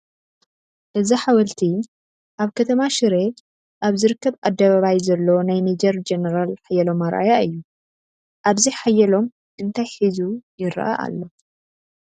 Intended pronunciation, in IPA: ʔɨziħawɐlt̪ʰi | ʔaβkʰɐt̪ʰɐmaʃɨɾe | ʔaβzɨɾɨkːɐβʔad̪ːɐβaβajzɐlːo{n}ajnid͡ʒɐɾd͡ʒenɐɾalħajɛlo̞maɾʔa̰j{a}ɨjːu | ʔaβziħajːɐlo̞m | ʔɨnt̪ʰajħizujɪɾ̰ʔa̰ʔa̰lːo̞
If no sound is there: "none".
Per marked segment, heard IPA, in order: n, a

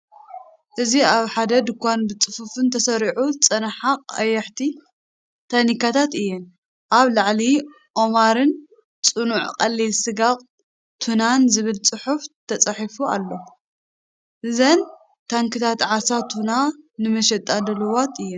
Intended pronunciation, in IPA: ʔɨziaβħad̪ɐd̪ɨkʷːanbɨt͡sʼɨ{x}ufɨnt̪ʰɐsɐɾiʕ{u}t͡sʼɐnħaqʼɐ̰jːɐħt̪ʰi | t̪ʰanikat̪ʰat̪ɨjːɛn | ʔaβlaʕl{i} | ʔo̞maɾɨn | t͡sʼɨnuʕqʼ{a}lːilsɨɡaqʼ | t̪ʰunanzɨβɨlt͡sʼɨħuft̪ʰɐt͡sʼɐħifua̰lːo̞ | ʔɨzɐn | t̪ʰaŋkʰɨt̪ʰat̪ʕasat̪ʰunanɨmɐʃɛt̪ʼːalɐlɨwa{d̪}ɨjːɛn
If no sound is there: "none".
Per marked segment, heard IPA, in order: f, u, i, ɐ, t̪

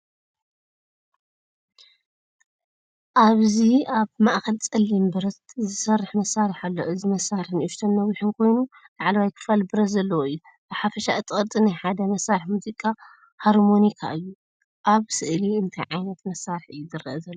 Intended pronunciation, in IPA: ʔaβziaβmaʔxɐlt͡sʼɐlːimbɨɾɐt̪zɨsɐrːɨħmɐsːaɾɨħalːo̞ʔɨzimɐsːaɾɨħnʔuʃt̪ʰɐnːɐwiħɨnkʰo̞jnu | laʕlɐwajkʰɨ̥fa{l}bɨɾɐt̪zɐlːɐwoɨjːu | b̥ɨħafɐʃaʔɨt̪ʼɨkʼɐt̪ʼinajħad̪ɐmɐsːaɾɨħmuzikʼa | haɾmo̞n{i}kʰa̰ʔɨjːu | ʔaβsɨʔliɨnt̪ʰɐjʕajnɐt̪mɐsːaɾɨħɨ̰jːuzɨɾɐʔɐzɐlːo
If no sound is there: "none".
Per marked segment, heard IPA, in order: l, i

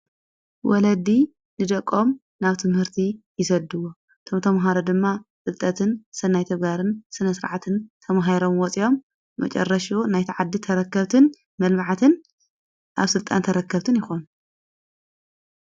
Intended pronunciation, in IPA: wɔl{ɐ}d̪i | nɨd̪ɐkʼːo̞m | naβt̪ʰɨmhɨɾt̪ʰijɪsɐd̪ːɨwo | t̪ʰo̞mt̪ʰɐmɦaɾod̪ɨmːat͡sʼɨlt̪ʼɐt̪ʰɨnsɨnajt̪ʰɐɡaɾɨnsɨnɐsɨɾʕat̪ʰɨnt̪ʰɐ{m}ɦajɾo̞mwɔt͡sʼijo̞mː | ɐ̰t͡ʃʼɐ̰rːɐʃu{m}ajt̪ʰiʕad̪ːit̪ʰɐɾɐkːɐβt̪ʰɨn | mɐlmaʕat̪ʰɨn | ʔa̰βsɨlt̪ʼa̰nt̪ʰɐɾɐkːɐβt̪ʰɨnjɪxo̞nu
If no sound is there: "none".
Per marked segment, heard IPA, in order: ɐ, m, n

